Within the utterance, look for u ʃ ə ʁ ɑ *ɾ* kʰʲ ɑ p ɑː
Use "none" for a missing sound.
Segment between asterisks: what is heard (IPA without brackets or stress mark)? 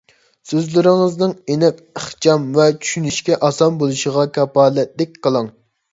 none